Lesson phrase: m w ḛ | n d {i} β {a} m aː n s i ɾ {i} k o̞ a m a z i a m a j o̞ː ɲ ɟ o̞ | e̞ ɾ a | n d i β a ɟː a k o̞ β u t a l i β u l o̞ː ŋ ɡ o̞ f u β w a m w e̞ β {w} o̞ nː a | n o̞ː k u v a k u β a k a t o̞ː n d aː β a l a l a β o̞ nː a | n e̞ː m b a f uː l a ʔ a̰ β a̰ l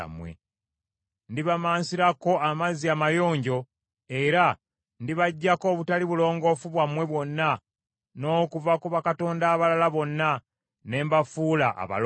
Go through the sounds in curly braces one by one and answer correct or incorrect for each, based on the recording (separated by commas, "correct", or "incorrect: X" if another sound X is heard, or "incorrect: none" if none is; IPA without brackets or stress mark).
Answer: correct, correct, incorrect: a, correct